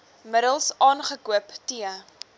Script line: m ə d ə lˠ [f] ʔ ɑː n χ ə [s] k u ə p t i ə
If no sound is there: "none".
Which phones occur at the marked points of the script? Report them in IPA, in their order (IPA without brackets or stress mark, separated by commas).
s, none